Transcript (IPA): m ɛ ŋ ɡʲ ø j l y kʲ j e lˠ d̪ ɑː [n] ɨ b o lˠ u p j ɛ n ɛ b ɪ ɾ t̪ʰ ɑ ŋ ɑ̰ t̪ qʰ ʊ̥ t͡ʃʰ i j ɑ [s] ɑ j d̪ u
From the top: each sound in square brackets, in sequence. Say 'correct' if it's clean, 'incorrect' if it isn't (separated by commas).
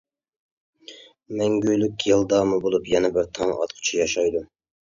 incorrect, incorrect